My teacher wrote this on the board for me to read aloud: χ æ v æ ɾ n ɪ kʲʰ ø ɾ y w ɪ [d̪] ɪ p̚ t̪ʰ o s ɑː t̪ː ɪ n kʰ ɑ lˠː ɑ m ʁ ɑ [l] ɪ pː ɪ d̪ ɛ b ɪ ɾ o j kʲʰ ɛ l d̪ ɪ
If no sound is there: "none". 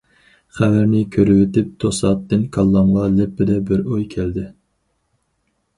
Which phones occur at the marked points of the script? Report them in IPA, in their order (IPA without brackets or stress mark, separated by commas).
t̪, l